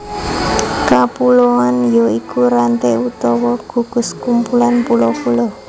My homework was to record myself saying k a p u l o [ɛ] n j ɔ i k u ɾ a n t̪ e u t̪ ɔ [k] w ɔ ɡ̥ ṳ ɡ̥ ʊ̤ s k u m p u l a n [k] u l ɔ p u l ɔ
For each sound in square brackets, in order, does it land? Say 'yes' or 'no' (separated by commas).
no, no, no